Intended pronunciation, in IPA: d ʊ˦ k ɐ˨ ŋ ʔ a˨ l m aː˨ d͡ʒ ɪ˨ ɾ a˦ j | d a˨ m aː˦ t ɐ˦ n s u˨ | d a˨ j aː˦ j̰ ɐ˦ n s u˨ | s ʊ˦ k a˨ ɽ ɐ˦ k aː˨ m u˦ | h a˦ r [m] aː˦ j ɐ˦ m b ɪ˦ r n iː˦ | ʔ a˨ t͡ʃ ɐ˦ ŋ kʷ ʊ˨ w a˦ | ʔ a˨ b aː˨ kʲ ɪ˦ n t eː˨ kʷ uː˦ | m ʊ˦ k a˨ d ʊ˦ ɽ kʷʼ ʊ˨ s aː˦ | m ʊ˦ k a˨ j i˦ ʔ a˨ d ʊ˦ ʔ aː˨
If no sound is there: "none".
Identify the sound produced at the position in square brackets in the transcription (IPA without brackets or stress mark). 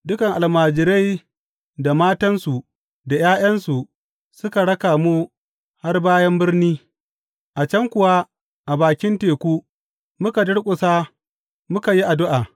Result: b